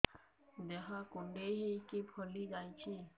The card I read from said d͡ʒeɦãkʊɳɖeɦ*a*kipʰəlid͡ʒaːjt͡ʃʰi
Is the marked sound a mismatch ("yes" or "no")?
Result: yes